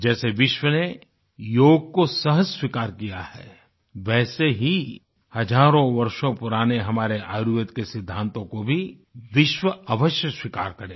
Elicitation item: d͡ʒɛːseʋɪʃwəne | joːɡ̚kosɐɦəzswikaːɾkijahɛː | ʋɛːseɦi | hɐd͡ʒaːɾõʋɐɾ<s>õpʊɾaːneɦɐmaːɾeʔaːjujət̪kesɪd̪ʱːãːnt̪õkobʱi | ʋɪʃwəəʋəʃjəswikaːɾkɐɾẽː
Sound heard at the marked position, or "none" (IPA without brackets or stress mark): ʃ